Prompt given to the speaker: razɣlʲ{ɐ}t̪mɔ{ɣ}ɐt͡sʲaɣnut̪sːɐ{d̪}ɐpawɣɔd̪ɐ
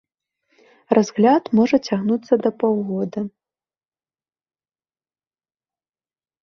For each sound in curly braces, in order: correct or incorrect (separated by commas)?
incorrect, incorrect, correct